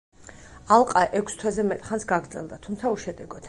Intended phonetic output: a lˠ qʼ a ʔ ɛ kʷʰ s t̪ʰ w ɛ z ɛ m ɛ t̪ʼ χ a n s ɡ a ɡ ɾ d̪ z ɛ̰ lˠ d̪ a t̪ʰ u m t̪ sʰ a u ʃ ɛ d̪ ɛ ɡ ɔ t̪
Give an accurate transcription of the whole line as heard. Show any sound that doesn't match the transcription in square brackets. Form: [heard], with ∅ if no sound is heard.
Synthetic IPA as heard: a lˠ qʼ a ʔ ɛ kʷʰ s t̪ʰ w ɛ z ɛ m ɛ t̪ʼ χ a n s ɡ a ɡ ɾ d̪ z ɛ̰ lˠ d̪ a t̪ʰ u m t̪ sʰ a u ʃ ɛ d̪ ɛ ɡ ɔ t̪